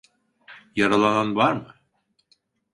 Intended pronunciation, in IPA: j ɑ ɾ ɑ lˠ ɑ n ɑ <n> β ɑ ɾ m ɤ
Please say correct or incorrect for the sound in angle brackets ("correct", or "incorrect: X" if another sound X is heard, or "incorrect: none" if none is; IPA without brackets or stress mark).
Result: correct